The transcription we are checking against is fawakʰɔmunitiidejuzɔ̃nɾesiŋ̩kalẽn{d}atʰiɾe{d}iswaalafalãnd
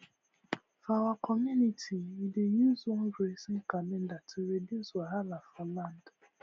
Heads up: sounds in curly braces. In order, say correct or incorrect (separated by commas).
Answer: correct, correct